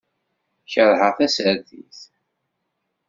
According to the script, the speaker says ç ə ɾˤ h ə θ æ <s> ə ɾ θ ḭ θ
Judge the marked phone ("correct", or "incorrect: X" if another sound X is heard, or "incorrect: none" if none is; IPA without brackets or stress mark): correct